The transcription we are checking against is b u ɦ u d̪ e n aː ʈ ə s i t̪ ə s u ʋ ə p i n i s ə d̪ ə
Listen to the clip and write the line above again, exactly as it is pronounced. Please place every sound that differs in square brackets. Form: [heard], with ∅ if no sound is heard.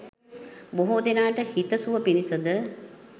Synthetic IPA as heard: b [o] ɦ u d̪ e n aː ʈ ə [h] i t̪ ə s u ʋ ə p i n i s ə d̪ ə